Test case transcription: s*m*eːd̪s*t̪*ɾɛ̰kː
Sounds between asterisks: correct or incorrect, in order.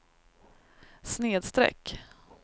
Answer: incorrect, correct

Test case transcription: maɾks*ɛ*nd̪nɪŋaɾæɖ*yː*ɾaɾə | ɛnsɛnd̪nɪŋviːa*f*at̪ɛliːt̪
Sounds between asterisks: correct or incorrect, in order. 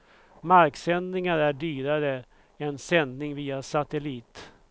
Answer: correct, correct, incorrect

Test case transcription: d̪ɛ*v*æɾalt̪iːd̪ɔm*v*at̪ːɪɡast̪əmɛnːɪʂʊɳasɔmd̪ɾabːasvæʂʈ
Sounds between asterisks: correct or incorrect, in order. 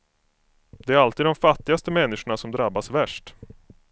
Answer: incorrect, incorrect

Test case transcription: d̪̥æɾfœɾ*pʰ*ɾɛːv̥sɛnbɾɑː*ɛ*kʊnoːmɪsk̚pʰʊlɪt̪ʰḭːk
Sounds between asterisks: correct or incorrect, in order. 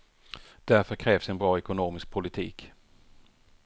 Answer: incorrect, correct

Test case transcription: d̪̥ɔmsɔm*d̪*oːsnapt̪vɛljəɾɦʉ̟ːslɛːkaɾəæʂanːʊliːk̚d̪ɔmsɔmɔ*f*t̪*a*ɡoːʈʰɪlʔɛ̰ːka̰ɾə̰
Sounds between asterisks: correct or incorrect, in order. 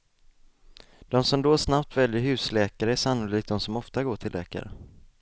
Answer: correct, correct, correct

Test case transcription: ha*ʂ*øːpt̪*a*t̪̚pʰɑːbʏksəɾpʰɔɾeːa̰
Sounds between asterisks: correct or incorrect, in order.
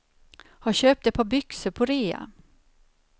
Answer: incorrect, incorrect

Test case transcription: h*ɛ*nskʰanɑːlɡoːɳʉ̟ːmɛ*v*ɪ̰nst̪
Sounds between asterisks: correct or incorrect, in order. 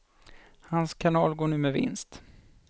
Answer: incorrect, correct

